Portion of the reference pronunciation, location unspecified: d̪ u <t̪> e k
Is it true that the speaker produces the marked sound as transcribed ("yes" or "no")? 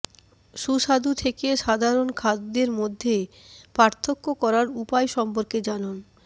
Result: no